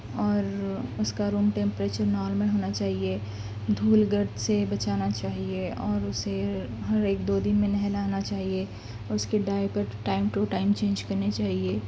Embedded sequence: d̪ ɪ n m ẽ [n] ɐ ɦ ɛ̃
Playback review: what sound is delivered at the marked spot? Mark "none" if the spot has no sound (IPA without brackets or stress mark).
n